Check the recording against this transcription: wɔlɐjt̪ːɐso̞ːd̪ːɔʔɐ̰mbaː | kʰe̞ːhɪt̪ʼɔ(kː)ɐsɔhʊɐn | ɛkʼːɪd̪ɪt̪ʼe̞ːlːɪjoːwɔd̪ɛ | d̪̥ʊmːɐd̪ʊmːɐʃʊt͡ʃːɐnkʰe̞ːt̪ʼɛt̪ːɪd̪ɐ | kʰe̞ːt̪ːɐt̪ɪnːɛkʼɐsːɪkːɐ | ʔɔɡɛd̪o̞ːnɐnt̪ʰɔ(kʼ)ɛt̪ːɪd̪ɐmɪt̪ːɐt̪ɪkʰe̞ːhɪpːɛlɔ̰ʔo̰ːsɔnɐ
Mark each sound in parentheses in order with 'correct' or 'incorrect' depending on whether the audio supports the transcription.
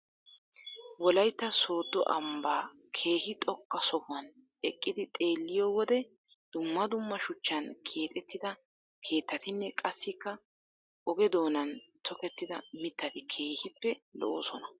correct, incorrect

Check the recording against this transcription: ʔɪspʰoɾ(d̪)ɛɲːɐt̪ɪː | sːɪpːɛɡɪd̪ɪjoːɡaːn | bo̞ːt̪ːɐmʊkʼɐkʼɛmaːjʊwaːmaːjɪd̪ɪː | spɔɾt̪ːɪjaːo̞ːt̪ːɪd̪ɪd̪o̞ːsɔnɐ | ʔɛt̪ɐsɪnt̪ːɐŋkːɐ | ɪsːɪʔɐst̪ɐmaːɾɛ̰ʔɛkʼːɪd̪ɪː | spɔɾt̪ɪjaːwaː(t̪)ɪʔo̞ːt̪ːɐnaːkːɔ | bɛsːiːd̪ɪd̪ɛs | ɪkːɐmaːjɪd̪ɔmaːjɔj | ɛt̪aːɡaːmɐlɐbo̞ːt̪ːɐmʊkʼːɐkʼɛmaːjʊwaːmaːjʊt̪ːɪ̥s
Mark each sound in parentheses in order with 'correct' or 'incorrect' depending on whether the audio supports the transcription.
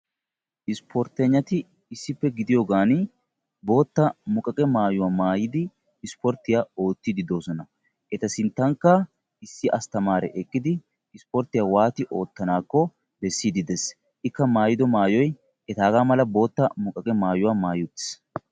incorrect, correct

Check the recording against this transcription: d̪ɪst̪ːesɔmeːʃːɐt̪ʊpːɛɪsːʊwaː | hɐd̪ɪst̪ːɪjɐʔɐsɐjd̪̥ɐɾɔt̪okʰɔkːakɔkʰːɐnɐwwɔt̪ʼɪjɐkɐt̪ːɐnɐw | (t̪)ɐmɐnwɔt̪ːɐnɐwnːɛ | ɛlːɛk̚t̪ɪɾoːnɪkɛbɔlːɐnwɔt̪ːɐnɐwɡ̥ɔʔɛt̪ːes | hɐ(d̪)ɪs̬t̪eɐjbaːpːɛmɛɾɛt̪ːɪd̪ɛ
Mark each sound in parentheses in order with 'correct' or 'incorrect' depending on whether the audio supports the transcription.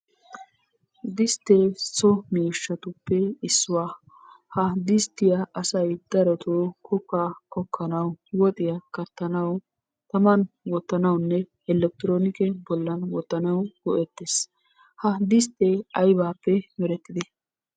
correct, correct

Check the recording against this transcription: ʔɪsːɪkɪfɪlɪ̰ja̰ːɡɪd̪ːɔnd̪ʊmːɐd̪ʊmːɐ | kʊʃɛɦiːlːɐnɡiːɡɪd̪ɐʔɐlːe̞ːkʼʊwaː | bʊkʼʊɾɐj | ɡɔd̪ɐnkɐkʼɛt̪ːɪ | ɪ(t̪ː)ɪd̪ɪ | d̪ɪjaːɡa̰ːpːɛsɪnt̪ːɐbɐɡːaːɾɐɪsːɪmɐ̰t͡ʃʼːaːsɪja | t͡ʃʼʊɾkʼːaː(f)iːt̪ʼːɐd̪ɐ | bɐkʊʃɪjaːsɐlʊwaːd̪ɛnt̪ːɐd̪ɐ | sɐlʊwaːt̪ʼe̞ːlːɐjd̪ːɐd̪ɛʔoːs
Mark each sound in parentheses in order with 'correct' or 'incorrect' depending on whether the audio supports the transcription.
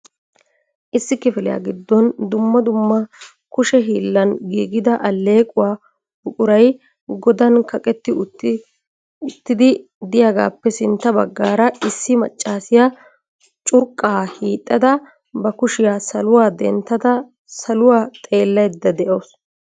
correct, incorrect

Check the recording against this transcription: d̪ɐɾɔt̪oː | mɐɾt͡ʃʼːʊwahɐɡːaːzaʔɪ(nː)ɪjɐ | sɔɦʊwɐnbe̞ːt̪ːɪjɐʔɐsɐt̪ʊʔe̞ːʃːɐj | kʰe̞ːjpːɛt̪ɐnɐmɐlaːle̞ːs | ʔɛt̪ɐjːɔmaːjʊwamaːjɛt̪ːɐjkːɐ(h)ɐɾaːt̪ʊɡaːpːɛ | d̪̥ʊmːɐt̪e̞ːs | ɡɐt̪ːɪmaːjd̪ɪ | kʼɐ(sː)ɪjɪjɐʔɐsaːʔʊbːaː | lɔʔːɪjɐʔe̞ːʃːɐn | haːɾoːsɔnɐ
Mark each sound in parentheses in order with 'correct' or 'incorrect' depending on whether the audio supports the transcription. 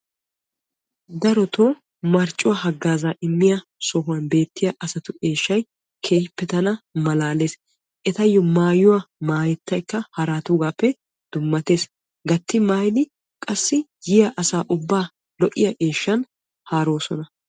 incorrect, correct, correct

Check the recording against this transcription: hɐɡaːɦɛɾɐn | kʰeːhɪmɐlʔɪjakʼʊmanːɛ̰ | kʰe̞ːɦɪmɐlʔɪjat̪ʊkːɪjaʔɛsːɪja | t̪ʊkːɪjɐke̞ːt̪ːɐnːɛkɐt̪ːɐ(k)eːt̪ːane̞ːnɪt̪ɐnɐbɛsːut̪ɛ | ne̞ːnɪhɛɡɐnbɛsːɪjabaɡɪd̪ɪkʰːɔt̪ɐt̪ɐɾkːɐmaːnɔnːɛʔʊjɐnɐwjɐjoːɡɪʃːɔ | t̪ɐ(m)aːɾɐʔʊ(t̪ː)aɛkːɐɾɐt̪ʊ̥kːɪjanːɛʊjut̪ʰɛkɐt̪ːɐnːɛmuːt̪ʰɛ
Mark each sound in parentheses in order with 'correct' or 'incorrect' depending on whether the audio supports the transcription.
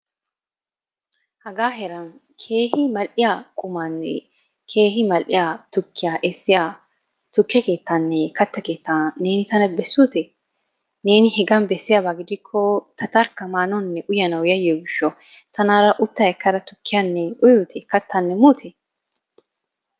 correct, incorrect, correct

